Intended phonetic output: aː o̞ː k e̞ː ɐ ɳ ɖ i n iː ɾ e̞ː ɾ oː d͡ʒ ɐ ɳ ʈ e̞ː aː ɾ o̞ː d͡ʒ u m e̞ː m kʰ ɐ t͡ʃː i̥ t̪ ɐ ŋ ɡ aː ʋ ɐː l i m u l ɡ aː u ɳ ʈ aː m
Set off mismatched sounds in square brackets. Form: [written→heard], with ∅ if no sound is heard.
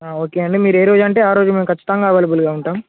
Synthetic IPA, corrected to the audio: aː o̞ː k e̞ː ɐ ɳ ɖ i [n→m] iː ɾ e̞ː ɾ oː d͡ʒ ɐ ɳ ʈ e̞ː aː ɾ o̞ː d͡ʒ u m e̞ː m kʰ ɐ t͡ʃː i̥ t̪ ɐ ŋ ɡ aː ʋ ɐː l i [m→b] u l ɡ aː u ɳ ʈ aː m